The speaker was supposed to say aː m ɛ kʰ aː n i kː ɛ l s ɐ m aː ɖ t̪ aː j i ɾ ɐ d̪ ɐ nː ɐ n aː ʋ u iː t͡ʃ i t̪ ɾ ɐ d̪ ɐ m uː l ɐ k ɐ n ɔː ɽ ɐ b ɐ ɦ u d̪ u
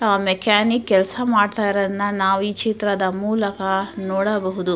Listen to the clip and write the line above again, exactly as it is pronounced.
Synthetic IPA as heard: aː m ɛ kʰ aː n i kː ɛ l s ɐ m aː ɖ t̪ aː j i ɾ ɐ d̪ ɐ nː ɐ n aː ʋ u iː t͡ʃ i t̪ ɾ ɐ d̪ ɐ m uː l ɐ k ɐ n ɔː ɽ ɐ b ɐ ɦ u d̪ u